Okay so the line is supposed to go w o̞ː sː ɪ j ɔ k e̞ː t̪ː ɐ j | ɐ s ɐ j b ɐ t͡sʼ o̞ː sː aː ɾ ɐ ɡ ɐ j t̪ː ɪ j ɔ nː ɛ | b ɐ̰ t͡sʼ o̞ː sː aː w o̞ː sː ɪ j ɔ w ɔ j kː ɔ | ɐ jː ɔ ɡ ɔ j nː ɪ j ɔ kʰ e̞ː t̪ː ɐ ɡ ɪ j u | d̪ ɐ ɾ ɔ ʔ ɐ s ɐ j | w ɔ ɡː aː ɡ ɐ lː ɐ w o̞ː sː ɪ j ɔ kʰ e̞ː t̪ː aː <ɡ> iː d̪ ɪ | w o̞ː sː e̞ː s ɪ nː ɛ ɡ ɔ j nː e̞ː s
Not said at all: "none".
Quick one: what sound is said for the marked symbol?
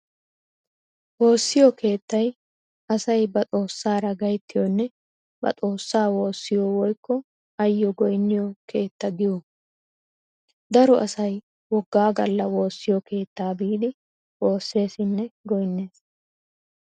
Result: b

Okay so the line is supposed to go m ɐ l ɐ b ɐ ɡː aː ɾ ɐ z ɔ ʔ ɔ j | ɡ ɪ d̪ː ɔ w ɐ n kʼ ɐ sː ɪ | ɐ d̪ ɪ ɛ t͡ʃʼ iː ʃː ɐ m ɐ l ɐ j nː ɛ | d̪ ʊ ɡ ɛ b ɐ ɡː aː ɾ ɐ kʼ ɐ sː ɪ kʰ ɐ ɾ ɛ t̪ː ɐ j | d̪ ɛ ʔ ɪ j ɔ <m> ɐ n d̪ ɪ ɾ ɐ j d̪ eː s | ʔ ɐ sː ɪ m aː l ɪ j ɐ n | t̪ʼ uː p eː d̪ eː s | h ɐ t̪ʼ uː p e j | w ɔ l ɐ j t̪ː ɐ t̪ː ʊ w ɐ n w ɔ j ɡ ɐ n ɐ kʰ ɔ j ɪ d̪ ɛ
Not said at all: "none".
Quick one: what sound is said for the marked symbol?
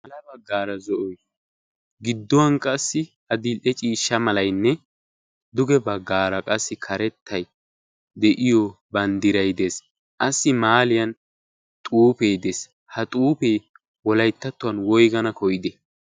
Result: b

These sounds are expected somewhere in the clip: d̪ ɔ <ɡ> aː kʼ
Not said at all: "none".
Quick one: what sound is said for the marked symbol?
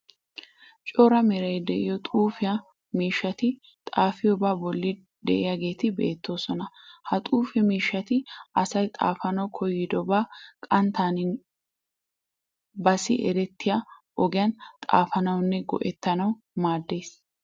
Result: b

